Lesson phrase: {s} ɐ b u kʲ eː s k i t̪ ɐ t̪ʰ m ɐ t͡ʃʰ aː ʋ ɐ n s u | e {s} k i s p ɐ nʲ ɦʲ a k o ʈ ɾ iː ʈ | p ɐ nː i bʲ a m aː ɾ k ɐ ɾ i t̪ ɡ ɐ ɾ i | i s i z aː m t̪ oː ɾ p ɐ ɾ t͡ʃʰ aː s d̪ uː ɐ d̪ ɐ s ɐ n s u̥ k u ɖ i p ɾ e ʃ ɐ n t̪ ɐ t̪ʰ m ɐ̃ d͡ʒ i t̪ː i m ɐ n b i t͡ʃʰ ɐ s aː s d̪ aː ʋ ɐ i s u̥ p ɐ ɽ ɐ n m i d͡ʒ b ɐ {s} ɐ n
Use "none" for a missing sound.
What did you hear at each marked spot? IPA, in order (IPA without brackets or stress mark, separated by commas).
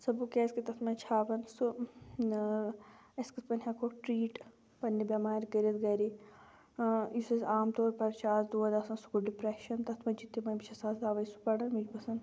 s, s, s